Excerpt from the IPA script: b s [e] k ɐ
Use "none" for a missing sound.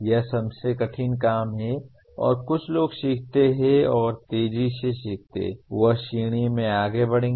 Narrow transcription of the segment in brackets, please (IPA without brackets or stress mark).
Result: e